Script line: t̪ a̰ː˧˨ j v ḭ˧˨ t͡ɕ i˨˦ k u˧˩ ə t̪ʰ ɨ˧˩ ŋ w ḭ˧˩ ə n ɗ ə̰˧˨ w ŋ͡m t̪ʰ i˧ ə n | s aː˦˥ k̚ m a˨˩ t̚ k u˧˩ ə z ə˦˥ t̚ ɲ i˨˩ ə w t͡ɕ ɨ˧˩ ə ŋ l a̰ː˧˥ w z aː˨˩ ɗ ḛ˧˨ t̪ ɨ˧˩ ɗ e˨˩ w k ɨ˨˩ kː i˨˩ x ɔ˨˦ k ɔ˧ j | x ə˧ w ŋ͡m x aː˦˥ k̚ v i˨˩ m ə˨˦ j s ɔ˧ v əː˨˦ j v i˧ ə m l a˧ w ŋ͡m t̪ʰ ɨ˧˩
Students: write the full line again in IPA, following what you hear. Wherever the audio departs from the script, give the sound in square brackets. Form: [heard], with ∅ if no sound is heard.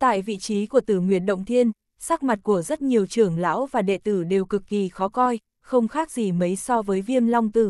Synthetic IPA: t̪ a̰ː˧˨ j v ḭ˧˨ t͡ɕ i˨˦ k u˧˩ ə [t̪] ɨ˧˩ ŋ w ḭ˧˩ ə n ɗ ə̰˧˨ w ŋ͡m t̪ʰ i˧ ə n | s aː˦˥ k̚ m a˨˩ t̚ k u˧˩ ə z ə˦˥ t̚ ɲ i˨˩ ə w t͡ɕ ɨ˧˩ ə ŋ l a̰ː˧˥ w [v] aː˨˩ ɗ ḛ˧˨ t̪ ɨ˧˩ ɗ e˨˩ w k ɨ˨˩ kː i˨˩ x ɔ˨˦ k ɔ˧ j | x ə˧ w ŋ͡m x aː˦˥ k̚ [z] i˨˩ m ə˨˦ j s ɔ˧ v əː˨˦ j v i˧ ə m l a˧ w ŋ͡m [t̪] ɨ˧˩